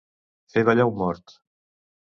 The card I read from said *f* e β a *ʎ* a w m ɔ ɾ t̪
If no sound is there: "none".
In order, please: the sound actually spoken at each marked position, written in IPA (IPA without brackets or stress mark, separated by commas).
f, ʎ